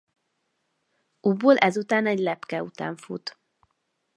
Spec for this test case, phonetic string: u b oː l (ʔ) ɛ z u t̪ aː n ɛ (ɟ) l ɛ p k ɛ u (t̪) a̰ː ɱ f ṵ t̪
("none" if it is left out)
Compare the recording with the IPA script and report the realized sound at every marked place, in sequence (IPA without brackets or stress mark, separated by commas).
ʔ, ɟ, t̪